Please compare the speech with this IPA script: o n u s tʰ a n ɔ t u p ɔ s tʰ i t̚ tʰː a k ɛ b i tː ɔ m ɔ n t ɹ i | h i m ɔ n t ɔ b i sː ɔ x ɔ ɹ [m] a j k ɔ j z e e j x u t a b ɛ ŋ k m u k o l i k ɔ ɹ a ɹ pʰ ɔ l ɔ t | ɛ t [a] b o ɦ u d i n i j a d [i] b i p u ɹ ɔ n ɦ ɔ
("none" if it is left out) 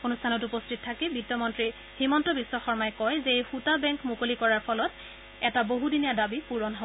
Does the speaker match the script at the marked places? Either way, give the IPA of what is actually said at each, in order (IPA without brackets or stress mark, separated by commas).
m, a, a